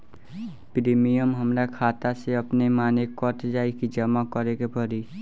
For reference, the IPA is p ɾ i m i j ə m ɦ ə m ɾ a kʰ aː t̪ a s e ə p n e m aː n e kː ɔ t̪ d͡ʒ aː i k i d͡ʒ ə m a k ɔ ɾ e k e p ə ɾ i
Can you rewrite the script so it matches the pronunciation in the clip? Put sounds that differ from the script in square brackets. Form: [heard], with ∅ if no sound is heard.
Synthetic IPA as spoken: p ɾ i m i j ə m ɦ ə m ɾ a kʰ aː t̪ a s e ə p n e m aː n e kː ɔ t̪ d͡ʒ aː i k i d͡ʒ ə m a k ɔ ɾ e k e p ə ɾ i

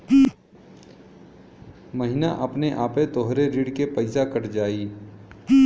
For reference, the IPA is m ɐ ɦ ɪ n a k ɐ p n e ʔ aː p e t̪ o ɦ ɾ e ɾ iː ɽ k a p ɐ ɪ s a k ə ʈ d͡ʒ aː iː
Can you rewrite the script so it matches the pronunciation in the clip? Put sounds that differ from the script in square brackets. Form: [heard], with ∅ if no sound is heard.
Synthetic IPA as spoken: m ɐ ɦ ɪ n a [ʔ] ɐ p n e ʔ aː p e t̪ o ɦ ɾ e ɾ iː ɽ k [e] p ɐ ɪ s a k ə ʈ d͡ʒ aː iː

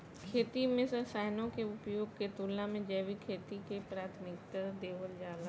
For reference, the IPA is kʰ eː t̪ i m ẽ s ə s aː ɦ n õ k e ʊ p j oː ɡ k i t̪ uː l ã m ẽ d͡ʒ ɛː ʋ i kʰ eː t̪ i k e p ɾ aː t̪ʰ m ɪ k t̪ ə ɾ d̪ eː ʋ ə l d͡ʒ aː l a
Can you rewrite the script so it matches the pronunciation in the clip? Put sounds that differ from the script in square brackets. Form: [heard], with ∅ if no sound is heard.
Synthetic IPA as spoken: kʰ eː t̪ i m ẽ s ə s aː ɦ n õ k e ʊ p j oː ɡ k [e] t̪ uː l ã m ẽ d͡ʒ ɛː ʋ i kʰ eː t̪ i k e p ɾ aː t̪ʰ m ɪ k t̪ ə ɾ d̪ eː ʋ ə l d͡ʒ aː l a

